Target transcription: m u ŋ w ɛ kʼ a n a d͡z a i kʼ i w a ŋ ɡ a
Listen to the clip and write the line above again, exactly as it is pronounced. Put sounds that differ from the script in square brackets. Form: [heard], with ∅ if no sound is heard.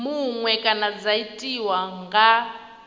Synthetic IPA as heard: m u ŋ w ɛ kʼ a n a d͡z a i [tʼ] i w a ŋ ɡ a